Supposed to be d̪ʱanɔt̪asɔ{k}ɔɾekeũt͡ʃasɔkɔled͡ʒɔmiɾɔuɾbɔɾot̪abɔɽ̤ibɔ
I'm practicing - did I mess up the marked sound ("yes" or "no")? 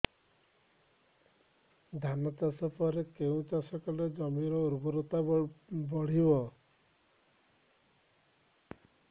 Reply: yes